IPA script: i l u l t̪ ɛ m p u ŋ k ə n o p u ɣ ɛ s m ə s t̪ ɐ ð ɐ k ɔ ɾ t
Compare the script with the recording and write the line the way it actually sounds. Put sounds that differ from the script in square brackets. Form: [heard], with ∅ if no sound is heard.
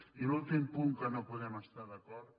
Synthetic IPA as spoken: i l u l t̪ [i] m p u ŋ k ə n o p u [ð] ɛ [∅] m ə s t̪ [a] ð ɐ k ɔ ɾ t